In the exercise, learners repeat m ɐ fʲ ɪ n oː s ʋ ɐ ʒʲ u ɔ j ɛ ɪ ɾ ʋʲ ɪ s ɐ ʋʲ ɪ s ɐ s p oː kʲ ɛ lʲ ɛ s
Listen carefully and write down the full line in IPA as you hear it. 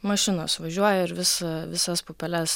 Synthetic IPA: m ɐ ʃʲ ɪ n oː s ʋ ɐ ʒʲ u ɔ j ɛ ɪ ɾ ʋʲ ɪ s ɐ ʋʲ ɪ s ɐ s p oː pʲ ɛ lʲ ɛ s